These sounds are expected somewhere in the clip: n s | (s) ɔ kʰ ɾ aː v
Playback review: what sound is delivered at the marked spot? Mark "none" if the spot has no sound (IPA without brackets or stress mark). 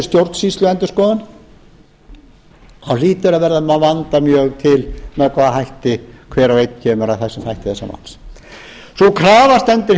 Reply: s